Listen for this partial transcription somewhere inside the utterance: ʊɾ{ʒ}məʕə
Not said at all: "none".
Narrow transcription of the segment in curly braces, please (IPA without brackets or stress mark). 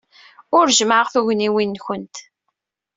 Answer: ʒ